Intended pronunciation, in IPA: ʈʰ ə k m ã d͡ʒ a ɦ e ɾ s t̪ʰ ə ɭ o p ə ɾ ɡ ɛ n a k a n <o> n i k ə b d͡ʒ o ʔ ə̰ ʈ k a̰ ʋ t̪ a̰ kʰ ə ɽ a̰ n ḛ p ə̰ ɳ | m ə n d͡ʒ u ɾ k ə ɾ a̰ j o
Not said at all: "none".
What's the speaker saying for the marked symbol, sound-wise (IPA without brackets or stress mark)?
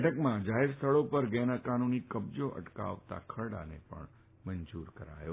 u